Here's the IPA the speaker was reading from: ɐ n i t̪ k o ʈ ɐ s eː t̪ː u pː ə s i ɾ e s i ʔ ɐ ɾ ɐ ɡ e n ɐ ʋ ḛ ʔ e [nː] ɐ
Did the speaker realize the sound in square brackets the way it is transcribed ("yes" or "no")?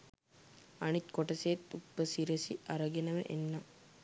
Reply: yes